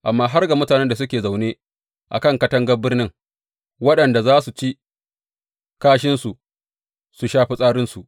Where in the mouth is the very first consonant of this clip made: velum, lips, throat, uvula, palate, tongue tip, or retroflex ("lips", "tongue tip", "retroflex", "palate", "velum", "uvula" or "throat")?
throat